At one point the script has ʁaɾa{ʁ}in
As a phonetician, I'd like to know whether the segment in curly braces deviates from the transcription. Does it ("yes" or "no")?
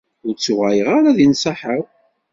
yes